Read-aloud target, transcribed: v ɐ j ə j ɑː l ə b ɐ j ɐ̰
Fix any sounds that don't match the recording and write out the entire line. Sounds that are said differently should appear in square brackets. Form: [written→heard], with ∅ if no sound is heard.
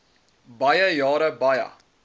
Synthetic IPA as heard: [v→b] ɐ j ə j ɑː [l→ɾ] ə b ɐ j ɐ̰